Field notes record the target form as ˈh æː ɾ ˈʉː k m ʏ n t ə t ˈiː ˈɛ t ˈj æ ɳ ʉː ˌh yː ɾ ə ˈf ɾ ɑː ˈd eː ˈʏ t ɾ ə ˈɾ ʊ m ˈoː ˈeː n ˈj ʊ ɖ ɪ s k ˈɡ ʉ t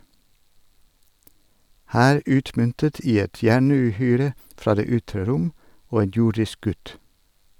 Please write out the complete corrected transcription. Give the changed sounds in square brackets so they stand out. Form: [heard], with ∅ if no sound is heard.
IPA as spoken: ˈh æː ɾ ˈʉː [t] m ʏ n t ə t ˈiː ˈɛ t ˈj æ ɳ ʉː ˌh yː ɾ ə ˈf ɾ ɑː ˈd eː ˈʏ t ɾ ə ˈɾ ʊ m ˈoː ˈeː n ˈj ʊ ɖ ɪ s k ˈɡ ʉ t